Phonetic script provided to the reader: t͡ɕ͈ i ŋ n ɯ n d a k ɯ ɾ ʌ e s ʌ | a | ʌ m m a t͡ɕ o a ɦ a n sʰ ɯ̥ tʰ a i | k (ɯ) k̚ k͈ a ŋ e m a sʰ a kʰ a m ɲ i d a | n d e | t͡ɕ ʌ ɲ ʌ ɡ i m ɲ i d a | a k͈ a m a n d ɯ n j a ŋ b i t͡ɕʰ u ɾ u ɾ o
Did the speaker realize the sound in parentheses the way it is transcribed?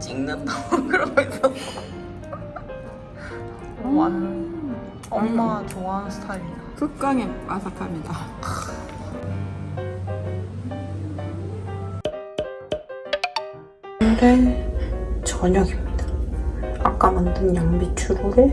yes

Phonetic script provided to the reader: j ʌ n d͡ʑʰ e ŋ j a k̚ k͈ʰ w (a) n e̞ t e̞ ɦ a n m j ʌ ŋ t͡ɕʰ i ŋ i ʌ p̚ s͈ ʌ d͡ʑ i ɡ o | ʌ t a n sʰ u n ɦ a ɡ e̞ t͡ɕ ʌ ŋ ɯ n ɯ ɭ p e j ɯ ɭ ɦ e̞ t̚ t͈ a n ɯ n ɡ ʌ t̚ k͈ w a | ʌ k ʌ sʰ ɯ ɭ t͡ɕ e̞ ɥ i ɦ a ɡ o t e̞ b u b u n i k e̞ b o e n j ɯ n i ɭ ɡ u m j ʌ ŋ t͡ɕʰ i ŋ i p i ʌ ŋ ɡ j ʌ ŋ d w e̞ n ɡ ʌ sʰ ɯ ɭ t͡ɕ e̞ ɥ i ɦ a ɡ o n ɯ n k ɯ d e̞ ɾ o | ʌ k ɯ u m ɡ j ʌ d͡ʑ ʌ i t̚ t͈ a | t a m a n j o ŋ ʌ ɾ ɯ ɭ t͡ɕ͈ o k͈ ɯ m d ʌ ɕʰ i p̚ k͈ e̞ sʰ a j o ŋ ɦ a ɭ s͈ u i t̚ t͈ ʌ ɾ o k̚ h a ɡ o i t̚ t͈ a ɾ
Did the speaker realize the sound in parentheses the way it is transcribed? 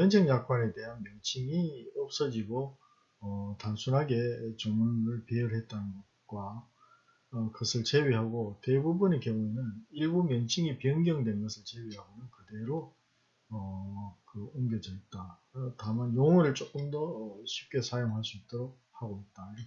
yes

